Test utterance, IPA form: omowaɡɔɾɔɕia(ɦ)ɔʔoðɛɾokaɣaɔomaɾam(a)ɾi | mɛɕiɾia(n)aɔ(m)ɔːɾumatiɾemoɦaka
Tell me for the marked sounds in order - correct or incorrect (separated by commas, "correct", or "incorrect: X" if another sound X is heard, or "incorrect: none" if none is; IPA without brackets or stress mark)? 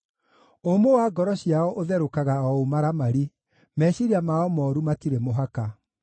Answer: incorrect: none, correct, incorrect: m, correct